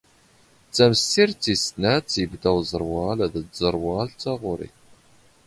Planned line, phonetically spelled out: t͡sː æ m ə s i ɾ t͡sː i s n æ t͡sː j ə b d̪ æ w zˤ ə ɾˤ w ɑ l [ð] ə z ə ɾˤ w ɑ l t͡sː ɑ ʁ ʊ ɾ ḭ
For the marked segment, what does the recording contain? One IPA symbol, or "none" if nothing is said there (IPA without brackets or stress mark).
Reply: ð